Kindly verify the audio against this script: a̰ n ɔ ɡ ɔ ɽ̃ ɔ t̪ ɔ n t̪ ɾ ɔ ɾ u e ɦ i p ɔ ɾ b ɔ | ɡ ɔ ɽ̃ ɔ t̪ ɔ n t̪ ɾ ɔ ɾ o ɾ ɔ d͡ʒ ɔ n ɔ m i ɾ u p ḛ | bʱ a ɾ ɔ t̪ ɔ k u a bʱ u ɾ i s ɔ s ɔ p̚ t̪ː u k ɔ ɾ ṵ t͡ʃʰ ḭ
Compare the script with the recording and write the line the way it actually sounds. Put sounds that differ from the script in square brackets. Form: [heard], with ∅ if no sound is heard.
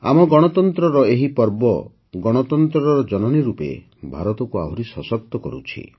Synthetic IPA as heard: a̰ [m] ɔ ɡ ɔ ɽ̃ ɔ t̪ ɔ n t̪ ɾ ɔ ɾ [ɔ] e ɦ i p ɔ ɾ b ɔ | ɡ ɔ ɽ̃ ɔ t̪ ɔ n t̪ ɾ ɔ ɾ [ɔ] ɾ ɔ d͡ʒ ɔ n ɔ [n] i ɾ u p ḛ | bʱ a ɾ ɔ t̪ ɔ k u a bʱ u ɾ i s ɔ s ɔ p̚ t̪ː [ɔ] k ɔ ɾ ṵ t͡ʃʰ ḭ

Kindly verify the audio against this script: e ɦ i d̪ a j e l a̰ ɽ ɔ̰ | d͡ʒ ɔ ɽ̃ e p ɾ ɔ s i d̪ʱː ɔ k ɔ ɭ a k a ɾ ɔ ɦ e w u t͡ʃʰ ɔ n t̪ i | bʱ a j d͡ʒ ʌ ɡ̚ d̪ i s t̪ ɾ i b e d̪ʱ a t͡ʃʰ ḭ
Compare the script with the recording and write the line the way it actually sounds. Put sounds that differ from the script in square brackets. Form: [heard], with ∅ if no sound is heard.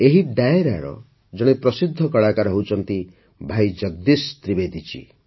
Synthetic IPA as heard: e ɦ i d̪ a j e [ɾ] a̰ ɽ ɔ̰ | d͡ʒ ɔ ɽ̃ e p ɾ ɔ s i d̪ʱː ɔ k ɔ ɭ a k a ɾ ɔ ɦ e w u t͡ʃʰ ɔ n t̪ i | bʱ a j d͡ʒ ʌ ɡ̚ d̪ i s t̪ ɾ i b e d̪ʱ [i] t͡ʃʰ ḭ

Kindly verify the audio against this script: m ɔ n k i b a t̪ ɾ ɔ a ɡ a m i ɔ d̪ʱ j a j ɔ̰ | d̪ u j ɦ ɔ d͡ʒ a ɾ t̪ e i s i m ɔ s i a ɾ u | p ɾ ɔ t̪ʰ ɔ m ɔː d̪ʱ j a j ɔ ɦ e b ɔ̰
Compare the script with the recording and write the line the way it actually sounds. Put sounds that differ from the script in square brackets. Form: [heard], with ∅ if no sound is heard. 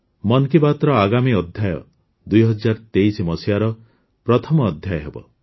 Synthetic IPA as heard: m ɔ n k i b a t̪ ɾ ɔ a ɡ a m i ɔ d̪ʱ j a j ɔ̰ | d̪ u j ɦ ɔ d͡ʒ a ɾ t̪ e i s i m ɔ s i a ɾ [ɔ] | p ɾ ɔ t̪ʰ ɔ m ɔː d̪ʱ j a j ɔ ɦ e b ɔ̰

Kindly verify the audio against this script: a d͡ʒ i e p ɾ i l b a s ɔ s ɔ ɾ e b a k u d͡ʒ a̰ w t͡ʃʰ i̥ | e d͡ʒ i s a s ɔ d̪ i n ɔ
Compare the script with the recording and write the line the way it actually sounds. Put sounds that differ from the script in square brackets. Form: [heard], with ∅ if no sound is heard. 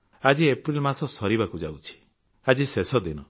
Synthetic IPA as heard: a d͡ʒ i e p ɾ i l [m] a s ɔ s ɔ ɾ [i] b a k u d͡ʒ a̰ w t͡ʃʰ i̥ | [a] d͡ʒ i s [e] s ɔ d̪ i n ɔ

